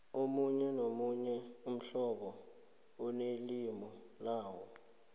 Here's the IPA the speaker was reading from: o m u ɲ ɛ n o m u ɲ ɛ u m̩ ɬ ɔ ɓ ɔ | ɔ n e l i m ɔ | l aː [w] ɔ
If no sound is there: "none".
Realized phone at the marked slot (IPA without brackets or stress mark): w